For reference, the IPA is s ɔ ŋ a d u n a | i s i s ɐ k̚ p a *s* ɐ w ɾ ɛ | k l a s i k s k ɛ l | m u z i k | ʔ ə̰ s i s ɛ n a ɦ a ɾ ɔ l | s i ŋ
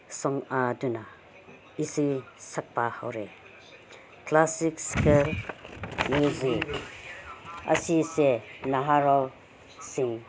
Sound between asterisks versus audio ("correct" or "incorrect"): incorrect